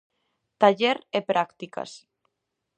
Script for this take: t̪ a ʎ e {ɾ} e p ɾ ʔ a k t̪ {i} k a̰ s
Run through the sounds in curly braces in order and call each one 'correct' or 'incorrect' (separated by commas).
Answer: correct, correct